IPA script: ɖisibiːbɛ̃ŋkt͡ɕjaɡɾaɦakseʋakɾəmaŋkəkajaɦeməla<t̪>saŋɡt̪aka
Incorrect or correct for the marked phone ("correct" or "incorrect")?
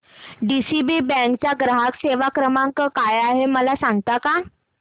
incorrect